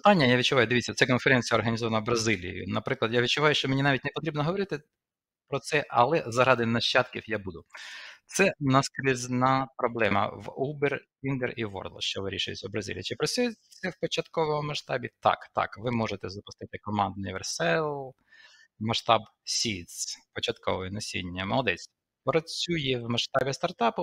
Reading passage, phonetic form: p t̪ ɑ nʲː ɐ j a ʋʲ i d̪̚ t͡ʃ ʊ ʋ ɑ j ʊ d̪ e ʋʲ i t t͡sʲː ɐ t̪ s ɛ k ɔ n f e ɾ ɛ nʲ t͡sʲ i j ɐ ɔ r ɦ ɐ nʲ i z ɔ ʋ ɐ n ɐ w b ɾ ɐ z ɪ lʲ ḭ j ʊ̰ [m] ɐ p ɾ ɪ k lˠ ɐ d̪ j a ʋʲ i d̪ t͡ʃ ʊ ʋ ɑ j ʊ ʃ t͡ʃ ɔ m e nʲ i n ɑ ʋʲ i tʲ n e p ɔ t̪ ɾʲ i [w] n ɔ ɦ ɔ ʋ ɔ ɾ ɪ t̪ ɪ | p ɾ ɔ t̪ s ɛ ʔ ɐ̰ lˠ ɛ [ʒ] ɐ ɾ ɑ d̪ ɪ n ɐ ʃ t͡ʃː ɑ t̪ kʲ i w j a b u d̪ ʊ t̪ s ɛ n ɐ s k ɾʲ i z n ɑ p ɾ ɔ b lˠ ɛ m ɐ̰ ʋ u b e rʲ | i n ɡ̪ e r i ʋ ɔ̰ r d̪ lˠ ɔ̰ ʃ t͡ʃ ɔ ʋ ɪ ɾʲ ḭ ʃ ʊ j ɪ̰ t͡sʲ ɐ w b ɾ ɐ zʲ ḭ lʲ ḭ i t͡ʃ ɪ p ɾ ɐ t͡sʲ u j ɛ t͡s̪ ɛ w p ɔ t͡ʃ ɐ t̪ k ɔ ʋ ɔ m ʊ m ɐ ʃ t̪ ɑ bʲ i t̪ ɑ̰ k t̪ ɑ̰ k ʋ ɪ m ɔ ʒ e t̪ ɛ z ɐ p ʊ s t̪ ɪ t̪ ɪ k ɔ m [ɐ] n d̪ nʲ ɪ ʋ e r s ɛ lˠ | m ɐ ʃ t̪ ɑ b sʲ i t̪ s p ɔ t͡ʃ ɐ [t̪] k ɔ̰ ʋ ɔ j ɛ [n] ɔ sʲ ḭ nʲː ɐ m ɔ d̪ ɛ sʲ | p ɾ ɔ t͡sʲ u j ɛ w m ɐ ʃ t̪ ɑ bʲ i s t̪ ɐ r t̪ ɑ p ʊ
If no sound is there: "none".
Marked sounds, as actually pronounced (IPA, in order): n, b, z, ɑ, t̪, n

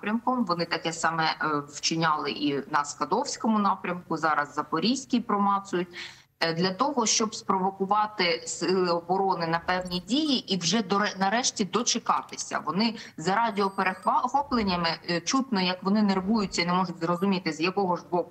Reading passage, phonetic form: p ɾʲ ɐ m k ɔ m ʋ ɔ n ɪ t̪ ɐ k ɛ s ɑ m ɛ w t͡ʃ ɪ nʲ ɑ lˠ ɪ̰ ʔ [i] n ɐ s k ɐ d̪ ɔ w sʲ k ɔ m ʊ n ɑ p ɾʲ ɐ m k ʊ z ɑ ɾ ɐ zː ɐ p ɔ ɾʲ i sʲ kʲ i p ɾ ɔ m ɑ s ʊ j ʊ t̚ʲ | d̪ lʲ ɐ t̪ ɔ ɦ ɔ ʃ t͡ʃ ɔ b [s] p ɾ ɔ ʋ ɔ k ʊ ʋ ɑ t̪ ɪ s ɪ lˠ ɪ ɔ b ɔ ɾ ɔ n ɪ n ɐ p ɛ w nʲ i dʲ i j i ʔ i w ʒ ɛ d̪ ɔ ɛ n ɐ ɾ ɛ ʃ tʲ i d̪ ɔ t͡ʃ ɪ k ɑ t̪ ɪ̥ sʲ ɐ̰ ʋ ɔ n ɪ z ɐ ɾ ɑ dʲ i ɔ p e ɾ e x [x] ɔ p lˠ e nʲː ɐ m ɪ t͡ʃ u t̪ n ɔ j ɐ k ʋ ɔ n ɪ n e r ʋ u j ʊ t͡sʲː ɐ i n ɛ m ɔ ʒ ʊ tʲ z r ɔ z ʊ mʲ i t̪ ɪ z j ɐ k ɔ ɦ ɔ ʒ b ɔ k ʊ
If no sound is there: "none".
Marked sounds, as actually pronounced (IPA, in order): i, s, x

